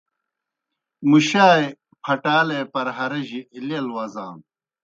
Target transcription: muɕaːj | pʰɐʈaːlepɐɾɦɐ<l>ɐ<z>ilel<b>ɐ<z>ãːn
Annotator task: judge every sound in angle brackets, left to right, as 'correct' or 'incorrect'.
incorrect: ɾ, incorrect: ʑ, incorrect: w, correct

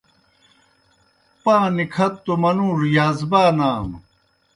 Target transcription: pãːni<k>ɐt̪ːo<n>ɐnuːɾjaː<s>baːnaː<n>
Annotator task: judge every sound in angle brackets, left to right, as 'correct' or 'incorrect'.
incorrect: kʰ, incorrect: m, incorrect: z, incorrect: m

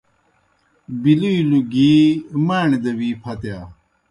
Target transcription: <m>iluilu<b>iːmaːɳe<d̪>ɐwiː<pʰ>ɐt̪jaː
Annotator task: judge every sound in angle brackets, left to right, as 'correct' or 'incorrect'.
incorrect: b, incorrect: ɡ, correct, correct

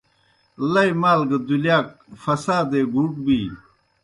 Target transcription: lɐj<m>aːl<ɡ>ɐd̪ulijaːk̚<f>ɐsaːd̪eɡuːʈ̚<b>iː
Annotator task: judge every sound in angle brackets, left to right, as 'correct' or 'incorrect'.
correct, correct, correct, correct

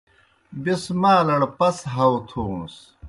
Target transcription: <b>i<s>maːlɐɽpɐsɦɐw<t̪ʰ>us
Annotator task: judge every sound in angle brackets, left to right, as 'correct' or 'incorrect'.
correct, correct, correct

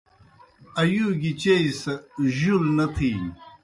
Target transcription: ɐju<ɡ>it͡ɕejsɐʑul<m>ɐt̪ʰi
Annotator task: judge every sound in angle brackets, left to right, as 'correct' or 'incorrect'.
correct, incorrect: n

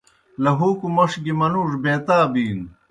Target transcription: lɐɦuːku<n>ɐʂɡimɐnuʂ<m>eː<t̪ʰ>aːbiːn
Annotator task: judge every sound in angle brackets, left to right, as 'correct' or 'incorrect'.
incorrect: m, incorrect: b, incorrect: t̪

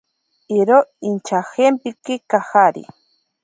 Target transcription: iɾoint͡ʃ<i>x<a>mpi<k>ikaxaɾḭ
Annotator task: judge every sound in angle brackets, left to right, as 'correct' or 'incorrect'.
incorrect: a, incorrect: e, correct

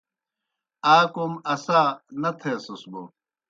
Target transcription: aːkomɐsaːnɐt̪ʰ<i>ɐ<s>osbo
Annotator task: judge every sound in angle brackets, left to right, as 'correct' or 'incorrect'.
incorrect: e, correct

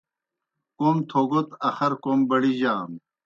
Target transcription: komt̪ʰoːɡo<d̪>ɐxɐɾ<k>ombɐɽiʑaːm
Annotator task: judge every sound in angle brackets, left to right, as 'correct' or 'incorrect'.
incorrect: t̪, correct

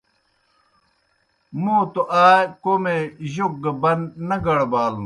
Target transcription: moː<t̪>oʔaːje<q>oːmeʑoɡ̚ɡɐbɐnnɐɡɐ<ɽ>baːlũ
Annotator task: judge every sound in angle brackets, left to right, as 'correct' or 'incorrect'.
correct, incorrect: k, correct

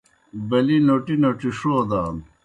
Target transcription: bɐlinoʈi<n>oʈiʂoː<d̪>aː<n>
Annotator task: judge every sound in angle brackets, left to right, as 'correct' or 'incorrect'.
correct, correct, correct

